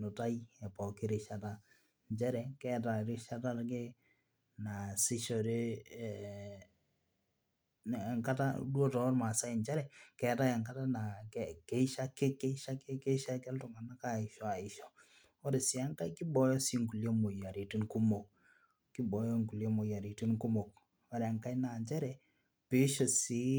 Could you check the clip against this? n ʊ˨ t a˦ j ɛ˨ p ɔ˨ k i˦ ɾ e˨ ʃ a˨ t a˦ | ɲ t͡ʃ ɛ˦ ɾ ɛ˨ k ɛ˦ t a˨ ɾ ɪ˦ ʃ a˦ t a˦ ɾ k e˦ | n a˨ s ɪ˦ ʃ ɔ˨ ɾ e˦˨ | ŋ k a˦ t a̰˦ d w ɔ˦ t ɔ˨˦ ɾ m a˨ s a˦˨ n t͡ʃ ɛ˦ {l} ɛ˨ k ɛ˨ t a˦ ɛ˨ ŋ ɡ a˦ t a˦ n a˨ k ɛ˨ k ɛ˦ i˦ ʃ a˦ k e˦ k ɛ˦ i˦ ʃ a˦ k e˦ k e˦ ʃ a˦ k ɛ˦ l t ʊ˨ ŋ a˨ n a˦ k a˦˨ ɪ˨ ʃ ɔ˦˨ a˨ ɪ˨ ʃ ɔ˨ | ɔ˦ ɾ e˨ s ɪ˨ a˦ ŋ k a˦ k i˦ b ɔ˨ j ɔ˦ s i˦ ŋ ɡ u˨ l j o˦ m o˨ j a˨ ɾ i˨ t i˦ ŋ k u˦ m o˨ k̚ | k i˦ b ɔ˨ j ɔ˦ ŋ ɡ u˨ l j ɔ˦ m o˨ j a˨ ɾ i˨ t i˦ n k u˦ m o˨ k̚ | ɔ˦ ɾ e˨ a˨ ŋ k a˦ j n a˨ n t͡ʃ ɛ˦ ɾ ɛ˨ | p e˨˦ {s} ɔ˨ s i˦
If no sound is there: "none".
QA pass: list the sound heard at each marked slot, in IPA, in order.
ɾ, ʃ

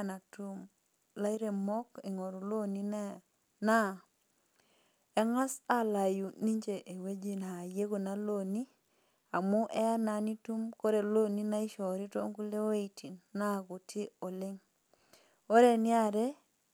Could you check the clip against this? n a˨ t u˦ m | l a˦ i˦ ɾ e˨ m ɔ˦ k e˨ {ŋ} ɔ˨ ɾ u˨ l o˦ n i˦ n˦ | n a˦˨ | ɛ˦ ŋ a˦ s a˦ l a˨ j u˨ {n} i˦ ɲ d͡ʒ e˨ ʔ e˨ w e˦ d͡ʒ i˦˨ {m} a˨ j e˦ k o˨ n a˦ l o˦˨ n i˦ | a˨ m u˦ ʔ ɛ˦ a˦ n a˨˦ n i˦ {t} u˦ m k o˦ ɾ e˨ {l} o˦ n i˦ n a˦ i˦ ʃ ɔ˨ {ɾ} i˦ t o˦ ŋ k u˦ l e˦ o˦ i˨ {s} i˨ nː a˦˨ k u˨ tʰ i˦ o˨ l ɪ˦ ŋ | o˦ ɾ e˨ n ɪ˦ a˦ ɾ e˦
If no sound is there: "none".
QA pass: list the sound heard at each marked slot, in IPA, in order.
ŋ, n, n, t, l, ɾ, t

